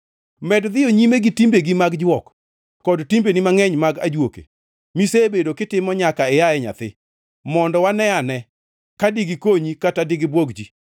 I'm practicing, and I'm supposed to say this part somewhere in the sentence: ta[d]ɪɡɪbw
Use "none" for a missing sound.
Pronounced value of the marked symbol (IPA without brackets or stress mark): d